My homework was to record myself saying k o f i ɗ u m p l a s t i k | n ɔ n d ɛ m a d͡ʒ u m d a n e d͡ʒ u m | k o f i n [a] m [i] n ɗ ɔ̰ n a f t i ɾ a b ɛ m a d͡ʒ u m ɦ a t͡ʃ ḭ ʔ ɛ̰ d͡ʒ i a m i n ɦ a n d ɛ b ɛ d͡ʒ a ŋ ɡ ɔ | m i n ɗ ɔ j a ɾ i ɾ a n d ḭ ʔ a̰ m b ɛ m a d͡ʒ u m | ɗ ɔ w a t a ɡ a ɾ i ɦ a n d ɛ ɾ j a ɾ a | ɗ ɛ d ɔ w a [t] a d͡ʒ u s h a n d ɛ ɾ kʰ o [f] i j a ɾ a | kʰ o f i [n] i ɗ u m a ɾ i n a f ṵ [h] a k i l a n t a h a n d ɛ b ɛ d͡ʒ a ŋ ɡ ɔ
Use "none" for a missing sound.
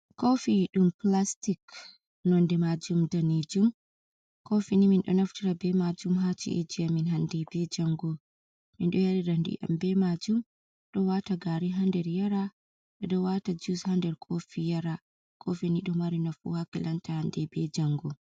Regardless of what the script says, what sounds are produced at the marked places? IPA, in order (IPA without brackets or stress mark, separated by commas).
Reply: i, i, t, f, n, h